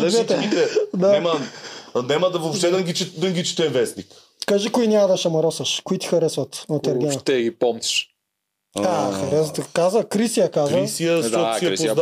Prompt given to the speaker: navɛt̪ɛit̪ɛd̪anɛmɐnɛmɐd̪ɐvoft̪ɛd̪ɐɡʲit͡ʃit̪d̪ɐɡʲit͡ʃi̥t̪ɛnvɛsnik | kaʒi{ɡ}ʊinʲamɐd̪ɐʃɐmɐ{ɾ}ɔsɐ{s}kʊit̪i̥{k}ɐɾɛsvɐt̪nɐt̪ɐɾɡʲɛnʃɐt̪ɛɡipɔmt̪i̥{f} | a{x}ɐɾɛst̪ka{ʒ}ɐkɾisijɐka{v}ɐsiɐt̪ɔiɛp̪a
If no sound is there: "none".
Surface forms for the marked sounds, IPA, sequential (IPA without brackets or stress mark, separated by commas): k, ɾ, ʃ, x, ʃ, x, z, z